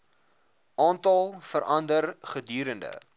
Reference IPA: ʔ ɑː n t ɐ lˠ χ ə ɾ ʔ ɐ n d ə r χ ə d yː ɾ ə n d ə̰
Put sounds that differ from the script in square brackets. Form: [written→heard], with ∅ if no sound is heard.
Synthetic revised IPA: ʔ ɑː n t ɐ lˠ [χ→f] ə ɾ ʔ ɐ n d ə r χ ə d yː ɾ ə n d ə̰